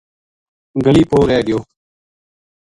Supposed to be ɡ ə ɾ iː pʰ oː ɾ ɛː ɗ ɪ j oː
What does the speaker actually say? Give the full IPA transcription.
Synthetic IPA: ɡ ə l iː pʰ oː ɾ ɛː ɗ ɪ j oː